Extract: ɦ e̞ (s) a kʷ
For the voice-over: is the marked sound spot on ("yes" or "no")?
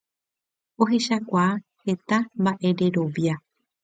no